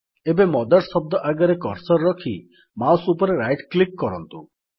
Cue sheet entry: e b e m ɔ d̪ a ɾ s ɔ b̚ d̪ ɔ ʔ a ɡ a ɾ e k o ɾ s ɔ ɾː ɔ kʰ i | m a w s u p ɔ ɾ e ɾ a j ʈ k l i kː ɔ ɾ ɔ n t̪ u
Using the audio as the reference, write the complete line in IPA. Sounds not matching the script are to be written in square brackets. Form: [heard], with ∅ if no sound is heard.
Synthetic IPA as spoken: e b e m ɔ d̪ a ɾ s ɔ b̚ d̪ ɔ ʔ a ɡ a ɾ e k [ɔ] ɾ s ɔ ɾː ɔ kʰ i | m a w s u p ɔ ɾ e ɾ a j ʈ k l i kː ɔ ɾ ɔ n t̪ u

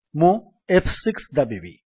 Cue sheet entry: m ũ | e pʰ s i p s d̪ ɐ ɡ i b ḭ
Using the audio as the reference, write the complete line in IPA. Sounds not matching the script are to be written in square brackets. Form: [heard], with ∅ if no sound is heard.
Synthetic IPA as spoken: m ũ | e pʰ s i [k] s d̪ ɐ [b] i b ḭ

